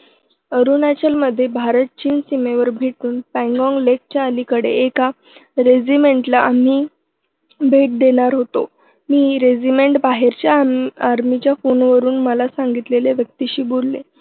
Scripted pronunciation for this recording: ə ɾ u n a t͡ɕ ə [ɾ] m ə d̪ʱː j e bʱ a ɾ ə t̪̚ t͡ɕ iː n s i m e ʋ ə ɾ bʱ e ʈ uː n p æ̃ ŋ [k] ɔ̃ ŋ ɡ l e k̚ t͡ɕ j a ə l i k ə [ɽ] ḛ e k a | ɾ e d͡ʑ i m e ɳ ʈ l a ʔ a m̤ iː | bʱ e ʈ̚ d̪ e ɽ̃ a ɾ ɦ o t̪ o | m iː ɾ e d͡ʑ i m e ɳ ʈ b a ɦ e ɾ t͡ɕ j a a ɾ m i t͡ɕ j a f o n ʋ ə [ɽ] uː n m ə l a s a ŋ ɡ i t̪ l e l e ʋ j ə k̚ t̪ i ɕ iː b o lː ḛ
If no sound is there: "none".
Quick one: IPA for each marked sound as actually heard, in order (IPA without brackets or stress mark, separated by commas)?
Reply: l, ɡ, ɽ, ɾ